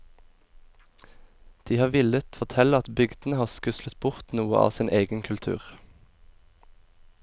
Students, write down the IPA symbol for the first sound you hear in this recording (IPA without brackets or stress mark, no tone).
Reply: d̪̥